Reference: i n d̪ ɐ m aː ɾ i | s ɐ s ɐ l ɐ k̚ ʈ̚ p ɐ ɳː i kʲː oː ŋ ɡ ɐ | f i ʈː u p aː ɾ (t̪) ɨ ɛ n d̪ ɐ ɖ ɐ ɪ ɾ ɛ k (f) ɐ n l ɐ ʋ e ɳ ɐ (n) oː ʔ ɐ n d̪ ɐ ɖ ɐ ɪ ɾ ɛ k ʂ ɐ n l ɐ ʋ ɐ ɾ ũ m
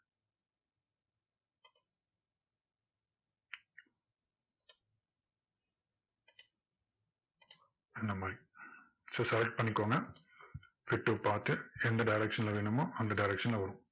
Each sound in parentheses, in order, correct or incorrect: correct, incorrect: ʂ, incorrect: m

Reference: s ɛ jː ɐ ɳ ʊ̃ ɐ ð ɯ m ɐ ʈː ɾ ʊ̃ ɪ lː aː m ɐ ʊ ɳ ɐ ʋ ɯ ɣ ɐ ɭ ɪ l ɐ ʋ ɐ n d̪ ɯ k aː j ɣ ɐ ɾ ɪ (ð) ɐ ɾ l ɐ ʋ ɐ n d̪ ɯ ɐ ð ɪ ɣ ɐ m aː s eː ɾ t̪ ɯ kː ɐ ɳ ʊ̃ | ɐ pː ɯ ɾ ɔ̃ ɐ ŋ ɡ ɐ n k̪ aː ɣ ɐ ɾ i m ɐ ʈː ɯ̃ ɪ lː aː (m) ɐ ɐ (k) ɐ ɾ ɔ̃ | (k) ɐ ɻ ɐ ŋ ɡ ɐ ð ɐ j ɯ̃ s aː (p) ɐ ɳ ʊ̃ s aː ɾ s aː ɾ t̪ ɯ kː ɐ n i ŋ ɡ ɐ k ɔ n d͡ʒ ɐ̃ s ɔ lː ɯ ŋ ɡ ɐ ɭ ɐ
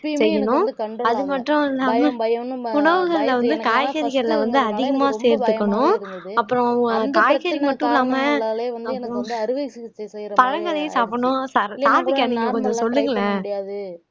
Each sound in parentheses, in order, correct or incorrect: incorrect: ɣ, correct, incorrect: p, incorrect: p, correct

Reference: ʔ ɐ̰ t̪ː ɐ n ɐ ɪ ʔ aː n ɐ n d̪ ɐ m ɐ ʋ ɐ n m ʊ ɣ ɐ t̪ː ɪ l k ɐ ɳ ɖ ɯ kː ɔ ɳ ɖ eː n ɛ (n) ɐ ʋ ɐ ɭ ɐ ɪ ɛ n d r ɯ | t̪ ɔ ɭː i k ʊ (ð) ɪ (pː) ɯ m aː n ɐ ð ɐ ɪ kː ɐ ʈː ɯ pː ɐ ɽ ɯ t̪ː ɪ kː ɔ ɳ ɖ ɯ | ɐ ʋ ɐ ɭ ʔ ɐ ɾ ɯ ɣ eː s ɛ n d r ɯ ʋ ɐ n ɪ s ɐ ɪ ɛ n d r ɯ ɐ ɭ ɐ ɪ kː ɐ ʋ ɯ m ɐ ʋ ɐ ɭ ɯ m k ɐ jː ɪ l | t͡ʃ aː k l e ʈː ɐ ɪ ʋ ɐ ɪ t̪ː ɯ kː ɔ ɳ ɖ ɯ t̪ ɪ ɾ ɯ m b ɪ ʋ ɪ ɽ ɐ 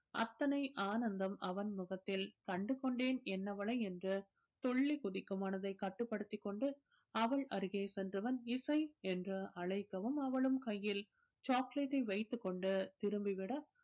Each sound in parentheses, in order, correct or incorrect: incorrect: nː, correct, incorrect: kː

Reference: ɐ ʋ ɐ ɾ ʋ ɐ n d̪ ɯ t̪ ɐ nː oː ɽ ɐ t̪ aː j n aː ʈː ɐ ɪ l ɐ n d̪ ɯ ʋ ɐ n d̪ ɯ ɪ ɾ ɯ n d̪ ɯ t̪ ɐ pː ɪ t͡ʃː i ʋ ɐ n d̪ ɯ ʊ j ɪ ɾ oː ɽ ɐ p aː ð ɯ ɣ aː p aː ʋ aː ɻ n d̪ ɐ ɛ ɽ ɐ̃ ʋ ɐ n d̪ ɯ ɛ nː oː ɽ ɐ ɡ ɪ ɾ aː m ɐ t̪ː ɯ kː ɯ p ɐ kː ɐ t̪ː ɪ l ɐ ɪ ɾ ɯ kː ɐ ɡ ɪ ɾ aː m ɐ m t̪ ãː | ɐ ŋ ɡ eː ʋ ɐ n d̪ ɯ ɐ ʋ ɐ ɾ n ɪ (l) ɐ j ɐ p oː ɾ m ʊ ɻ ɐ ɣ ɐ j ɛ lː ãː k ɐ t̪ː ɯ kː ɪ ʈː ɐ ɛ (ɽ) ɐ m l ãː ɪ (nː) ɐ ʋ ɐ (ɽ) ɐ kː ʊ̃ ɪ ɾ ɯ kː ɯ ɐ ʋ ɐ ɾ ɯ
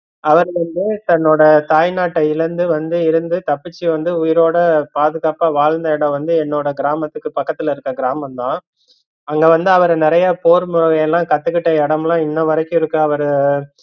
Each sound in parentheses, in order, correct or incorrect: incorrect: ɾ, correct, correct, incorrect: ɾ

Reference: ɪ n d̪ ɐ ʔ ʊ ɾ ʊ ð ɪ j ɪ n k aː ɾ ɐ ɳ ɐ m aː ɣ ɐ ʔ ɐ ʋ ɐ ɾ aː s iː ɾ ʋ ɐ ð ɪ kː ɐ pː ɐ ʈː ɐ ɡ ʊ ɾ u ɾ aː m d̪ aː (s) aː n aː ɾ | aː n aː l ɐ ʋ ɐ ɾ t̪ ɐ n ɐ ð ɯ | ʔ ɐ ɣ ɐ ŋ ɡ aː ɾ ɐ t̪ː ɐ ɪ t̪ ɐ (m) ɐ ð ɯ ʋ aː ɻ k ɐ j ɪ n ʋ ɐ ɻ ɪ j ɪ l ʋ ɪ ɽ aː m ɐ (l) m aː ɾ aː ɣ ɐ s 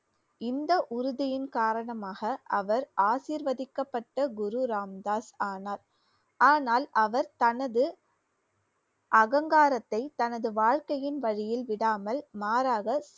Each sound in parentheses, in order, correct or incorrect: correct, incorrect: n, correct

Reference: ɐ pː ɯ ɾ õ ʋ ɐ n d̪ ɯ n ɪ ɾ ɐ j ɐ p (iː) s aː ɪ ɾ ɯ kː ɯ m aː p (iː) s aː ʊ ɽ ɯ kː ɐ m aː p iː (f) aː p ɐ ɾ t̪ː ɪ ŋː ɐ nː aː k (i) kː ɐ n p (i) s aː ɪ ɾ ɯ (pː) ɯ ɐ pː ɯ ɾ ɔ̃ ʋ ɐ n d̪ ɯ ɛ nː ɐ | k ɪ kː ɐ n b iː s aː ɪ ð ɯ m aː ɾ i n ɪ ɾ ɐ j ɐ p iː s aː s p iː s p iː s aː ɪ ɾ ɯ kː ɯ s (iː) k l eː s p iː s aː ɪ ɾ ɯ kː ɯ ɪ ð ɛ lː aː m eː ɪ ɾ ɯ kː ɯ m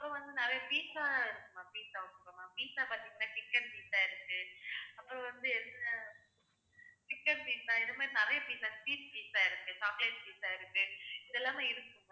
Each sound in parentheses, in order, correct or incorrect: correct, correct, incorrect: s, incorrect: ɪ, incorrect: iː, incorrect: kː, incorrect: aː

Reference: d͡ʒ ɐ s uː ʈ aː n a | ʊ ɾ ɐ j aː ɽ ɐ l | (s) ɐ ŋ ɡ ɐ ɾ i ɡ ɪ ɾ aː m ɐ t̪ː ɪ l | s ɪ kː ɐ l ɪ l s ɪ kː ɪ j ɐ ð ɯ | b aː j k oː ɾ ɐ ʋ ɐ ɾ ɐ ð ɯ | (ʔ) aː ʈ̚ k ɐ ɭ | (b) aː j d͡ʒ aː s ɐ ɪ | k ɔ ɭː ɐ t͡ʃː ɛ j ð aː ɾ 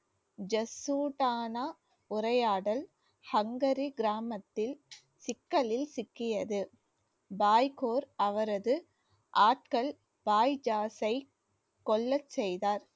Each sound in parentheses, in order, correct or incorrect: incorrect: h, correct, correct

